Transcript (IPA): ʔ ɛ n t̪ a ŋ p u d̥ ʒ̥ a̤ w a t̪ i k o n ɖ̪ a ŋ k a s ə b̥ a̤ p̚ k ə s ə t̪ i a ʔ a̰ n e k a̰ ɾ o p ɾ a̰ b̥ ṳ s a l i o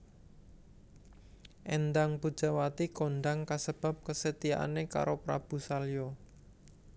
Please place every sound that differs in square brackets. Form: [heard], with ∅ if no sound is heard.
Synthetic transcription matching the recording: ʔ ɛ n [d̪] a ŋ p u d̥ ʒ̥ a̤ w a t̪ i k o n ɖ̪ a ŋ k a s ə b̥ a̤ p̚ k ə s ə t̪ i a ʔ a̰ n e k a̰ ɾ o p ɾ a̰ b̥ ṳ s a l [j] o